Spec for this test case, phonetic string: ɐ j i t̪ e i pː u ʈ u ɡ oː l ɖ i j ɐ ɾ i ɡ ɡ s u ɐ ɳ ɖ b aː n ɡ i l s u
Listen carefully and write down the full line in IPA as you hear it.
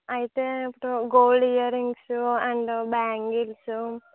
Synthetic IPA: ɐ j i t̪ e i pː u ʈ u ɡ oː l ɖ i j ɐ ɾ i ŋ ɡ s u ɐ ɳ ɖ b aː ŋ ɡ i l s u